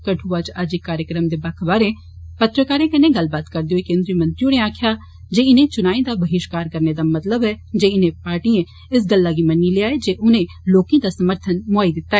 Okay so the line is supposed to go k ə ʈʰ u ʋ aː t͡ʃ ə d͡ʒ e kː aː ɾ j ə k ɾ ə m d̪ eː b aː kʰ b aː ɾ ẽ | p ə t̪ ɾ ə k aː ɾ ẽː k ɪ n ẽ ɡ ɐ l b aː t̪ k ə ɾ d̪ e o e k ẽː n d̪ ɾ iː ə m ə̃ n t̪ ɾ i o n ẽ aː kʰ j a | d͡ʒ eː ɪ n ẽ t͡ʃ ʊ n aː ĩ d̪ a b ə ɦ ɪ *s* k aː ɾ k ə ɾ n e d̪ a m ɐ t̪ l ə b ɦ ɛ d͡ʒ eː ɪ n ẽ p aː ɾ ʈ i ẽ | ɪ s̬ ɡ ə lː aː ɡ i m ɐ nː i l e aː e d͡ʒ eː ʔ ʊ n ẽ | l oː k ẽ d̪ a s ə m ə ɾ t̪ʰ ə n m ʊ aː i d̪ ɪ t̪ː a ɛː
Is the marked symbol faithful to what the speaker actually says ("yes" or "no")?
no